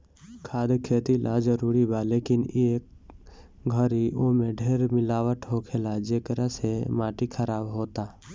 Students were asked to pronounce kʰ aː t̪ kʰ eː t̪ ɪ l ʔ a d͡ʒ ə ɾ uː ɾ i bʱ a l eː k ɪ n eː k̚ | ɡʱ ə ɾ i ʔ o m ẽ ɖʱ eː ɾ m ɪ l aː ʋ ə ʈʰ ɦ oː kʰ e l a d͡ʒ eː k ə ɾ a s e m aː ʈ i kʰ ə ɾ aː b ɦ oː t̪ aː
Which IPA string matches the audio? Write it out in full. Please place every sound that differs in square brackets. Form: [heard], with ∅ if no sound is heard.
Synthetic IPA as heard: kʰ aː [d̪] kʰ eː t̪ [i] l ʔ a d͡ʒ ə ɾ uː ɾ i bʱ a l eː k ɪ n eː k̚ | ɡʱ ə ɾ i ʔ o m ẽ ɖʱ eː ɾ m ɪ l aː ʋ ə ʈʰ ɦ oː kʰ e l a d͡ʒ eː k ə ɾ a s e m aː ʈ i kʰ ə ɾ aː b ɦ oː t̪ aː